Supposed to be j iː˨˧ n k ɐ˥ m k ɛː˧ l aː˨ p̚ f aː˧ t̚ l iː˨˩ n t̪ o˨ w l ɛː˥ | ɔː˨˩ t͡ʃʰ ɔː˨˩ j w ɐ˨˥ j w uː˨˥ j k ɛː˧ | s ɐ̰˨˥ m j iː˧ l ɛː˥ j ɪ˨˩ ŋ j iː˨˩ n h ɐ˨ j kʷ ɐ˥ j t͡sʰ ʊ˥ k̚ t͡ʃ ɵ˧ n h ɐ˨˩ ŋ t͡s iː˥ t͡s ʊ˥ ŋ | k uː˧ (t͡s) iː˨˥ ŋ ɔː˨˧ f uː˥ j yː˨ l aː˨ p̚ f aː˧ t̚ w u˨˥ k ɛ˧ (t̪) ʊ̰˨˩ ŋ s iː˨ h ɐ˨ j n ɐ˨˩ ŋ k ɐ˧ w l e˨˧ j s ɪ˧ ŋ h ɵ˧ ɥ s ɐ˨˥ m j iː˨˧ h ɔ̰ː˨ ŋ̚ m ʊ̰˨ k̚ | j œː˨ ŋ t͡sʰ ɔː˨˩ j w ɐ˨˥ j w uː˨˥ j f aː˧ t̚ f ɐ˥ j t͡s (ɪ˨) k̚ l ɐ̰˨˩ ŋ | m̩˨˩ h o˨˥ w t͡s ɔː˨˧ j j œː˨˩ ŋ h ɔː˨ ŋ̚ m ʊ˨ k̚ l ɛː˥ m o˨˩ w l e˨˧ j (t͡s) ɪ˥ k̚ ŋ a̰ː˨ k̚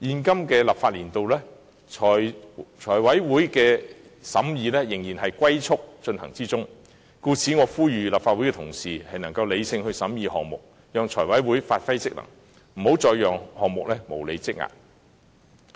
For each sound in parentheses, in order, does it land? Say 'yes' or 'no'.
no, no, no, yes

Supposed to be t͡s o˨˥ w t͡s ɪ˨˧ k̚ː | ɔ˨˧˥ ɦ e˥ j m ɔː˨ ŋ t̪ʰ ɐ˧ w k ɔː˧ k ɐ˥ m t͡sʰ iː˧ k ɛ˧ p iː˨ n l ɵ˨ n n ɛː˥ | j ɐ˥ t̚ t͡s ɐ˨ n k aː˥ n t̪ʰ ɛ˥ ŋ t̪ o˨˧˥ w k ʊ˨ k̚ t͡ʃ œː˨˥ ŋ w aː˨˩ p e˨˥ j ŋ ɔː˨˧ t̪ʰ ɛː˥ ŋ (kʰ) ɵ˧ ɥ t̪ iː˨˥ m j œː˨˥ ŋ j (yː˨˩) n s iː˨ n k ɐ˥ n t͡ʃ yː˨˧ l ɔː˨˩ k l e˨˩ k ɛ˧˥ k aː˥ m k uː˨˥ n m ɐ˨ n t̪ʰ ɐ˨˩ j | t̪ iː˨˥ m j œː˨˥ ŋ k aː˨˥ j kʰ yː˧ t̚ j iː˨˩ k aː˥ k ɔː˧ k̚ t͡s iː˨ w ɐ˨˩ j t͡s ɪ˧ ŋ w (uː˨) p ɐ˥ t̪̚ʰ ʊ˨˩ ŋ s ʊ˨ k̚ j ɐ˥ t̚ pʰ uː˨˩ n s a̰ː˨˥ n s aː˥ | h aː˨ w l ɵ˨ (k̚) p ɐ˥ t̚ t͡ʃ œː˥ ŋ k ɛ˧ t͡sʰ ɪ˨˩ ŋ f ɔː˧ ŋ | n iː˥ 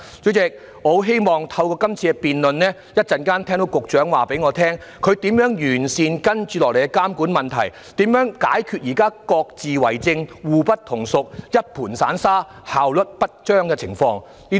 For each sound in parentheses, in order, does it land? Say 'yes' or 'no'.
yes, yes, yes, no

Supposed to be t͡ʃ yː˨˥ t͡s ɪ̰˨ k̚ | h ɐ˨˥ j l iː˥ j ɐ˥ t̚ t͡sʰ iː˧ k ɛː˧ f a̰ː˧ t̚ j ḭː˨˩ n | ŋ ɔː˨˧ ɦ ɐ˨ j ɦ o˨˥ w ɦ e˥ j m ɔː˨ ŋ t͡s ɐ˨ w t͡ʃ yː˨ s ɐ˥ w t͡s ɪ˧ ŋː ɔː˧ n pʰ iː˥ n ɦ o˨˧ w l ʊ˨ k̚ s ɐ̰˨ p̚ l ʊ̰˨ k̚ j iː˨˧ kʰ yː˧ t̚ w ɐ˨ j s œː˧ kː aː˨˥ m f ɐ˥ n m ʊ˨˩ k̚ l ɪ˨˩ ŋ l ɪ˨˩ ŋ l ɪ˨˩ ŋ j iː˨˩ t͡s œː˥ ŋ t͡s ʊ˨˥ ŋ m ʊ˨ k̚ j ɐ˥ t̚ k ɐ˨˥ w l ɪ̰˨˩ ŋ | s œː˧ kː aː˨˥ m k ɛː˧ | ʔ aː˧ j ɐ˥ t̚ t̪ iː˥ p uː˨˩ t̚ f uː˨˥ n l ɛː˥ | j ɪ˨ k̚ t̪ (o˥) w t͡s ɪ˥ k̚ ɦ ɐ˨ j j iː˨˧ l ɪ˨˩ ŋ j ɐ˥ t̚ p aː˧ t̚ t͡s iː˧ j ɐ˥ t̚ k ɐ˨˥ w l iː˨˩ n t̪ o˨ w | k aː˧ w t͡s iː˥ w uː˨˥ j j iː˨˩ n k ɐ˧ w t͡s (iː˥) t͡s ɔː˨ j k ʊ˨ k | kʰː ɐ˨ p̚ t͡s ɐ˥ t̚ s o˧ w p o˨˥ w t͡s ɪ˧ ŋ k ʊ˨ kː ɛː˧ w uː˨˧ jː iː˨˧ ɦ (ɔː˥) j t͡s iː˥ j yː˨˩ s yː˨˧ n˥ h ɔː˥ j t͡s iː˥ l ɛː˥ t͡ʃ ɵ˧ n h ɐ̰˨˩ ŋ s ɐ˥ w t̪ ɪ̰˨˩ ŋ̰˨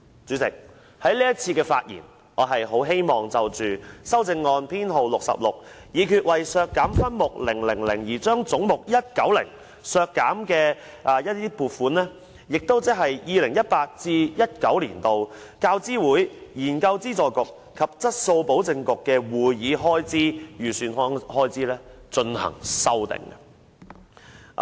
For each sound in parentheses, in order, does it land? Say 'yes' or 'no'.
yes, yes, yes

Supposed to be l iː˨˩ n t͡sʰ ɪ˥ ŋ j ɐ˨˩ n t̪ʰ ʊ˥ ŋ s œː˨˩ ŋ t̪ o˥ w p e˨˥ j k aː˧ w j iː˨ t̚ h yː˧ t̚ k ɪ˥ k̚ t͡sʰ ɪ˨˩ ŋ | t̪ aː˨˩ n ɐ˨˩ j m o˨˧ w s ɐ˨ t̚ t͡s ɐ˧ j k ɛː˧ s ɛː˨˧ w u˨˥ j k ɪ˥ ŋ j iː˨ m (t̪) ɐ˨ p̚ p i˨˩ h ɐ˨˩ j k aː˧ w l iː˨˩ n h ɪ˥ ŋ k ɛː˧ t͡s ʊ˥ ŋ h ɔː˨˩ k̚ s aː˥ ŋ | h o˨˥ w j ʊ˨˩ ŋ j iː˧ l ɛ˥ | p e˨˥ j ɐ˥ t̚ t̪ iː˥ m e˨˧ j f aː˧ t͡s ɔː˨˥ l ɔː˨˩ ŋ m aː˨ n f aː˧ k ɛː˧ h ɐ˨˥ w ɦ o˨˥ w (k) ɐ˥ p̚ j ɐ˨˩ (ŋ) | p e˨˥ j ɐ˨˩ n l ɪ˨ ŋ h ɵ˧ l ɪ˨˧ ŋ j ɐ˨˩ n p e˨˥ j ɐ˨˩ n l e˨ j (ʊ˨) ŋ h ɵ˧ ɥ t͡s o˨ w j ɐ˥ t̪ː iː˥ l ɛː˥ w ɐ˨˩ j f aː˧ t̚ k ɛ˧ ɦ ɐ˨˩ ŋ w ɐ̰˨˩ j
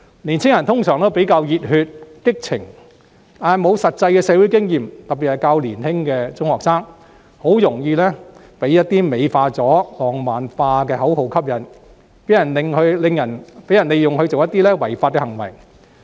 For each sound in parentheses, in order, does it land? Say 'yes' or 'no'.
yes, no, no, yes

